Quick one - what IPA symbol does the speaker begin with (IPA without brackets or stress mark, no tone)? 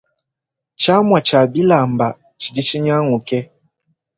t͡ʃ